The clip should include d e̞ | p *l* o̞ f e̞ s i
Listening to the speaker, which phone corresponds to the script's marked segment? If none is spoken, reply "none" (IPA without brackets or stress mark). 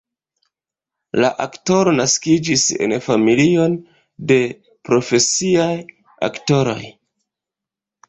ɾ